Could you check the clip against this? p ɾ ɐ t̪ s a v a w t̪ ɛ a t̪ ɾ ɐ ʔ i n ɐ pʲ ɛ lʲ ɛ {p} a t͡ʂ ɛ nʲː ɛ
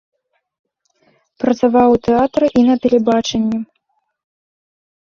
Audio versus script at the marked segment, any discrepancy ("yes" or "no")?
yes